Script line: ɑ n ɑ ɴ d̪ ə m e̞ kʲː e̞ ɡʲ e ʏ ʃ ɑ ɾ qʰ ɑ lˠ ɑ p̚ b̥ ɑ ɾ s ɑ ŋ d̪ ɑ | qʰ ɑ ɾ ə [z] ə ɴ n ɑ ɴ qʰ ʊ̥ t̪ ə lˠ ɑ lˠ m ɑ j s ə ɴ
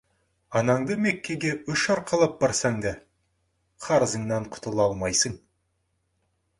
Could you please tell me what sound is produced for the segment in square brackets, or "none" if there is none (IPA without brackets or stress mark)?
z